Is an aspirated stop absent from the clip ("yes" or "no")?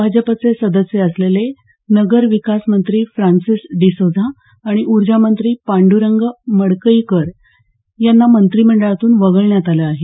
yes